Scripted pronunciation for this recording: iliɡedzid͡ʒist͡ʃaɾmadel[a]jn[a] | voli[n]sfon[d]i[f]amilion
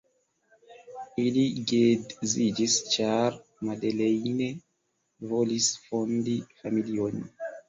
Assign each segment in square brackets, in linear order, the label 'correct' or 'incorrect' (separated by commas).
incorrect, incorrect, incorrect, correct, correct